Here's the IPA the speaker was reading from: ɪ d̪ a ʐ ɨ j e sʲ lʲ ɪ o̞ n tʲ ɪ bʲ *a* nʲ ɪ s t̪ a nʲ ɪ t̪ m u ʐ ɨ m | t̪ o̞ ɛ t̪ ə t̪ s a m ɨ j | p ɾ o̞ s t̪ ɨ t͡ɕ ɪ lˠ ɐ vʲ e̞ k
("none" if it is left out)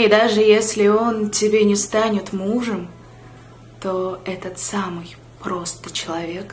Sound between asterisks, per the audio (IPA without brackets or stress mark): e